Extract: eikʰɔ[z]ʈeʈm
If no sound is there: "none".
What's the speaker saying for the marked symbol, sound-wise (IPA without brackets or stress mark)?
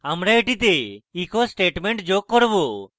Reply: s